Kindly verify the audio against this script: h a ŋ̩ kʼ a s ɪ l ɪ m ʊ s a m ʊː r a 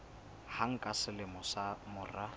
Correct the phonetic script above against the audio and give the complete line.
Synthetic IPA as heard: h a ŋ̩ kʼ a s ɪ l ɪ m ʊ s a m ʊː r a